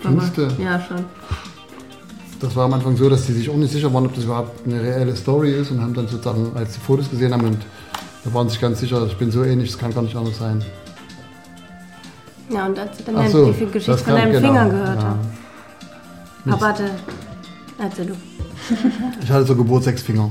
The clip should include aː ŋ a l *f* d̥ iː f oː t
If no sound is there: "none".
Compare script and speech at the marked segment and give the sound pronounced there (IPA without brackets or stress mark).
s